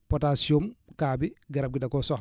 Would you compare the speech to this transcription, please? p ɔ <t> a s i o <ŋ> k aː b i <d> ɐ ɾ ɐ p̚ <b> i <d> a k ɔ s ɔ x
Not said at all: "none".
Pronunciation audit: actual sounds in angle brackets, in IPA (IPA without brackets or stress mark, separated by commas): t, m, ɡ, ɡ, d